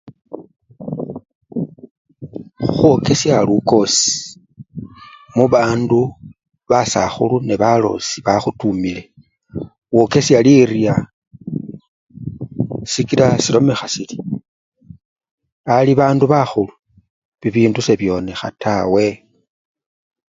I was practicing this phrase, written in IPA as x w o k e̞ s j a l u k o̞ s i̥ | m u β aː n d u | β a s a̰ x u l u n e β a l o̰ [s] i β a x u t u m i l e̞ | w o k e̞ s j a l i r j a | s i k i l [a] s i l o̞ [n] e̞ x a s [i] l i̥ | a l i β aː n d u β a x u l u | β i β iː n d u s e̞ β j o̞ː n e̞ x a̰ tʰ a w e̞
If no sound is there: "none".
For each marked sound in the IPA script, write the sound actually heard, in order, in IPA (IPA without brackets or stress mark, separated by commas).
s, a, m, i